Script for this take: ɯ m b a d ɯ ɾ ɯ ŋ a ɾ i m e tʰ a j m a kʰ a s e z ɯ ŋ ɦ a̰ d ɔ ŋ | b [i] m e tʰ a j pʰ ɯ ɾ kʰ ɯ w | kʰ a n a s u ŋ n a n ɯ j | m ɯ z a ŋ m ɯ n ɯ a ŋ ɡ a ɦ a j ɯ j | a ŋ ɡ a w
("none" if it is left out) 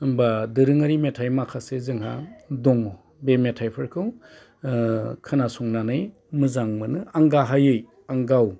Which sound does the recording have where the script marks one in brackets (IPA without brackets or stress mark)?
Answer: e